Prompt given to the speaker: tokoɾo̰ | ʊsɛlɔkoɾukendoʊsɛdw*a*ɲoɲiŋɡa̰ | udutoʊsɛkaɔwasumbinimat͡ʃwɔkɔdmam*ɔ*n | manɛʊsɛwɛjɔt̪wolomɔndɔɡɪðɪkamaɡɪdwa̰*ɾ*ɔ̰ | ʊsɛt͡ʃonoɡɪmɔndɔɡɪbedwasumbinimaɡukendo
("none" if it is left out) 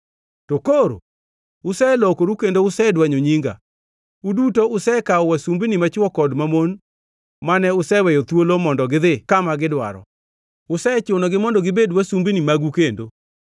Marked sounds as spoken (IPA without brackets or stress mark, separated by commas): a, o, ɾ